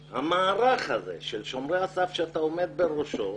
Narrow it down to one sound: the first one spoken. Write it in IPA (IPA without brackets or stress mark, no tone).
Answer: h